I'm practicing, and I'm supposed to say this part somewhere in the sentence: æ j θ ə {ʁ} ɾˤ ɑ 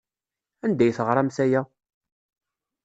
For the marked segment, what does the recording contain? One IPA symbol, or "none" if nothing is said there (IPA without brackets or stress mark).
ʁ